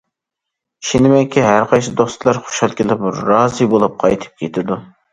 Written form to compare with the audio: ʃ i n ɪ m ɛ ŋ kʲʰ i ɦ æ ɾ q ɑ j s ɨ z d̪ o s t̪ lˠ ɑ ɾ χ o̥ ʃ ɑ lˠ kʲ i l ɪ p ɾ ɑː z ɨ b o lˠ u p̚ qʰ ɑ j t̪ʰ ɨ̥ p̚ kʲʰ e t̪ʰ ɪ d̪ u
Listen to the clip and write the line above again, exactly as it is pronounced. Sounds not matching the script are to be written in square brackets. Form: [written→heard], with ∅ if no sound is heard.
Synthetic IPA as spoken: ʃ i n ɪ m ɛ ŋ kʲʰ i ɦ æ ɾ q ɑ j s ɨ [z→∅] d̪ o s t̪ lˠ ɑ ɾ χ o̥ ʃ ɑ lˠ kʲ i l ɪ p ɾ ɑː z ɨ b o lˠ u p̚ qʰ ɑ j t̪ʰ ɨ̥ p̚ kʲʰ e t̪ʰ ɪ d̪ u